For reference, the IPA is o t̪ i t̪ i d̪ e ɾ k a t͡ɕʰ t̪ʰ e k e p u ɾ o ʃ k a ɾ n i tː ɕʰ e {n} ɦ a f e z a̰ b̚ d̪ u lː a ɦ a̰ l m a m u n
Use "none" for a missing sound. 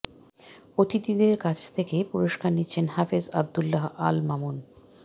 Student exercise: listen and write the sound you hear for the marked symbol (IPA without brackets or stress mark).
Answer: n